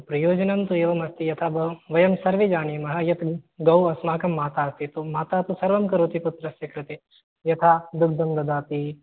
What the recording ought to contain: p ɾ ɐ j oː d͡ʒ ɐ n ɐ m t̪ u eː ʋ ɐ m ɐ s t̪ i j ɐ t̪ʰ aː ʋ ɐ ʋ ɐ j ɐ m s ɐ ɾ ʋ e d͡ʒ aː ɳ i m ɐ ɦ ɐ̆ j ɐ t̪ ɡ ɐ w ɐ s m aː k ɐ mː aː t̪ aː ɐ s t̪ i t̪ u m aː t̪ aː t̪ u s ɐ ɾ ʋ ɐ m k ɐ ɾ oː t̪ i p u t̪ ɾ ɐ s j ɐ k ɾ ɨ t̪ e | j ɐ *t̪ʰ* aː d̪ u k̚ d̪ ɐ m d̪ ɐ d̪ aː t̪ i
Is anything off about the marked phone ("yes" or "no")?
no